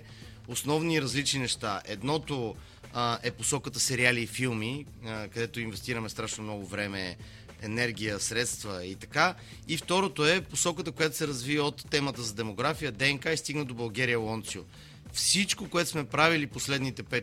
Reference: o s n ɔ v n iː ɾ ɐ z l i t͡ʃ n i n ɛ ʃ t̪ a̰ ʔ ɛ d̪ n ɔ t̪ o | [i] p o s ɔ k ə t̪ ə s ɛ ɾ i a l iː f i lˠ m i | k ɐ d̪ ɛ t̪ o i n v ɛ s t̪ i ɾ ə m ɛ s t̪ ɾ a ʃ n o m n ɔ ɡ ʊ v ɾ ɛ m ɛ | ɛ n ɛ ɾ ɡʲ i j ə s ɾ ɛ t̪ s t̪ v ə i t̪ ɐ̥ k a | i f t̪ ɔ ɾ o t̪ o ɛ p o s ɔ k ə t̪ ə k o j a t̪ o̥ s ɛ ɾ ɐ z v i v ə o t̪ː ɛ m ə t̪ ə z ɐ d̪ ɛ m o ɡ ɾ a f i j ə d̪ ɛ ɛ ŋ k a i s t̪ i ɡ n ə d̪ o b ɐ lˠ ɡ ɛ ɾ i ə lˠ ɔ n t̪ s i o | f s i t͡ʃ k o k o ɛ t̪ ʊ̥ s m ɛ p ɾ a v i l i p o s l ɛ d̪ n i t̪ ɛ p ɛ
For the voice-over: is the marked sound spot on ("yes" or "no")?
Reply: no